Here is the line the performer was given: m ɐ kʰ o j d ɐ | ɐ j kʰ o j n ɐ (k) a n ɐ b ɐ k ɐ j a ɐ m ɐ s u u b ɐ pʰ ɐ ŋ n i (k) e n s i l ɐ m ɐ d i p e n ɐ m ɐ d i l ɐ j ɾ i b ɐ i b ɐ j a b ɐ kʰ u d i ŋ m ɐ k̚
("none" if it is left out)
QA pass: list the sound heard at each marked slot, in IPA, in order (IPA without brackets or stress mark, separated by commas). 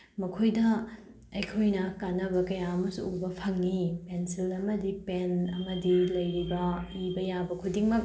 k, p